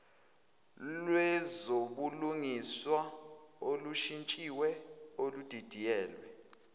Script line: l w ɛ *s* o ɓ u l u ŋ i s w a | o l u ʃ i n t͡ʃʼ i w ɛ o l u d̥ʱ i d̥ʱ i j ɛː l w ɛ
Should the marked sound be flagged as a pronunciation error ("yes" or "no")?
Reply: yes